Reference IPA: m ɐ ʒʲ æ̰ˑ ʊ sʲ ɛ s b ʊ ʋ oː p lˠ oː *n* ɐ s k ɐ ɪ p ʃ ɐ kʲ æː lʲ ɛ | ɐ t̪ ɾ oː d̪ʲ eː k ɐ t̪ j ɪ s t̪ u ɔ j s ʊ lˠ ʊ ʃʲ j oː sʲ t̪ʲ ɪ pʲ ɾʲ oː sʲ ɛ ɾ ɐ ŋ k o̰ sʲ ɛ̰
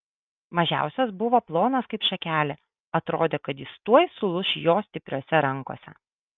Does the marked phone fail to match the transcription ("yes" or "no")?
no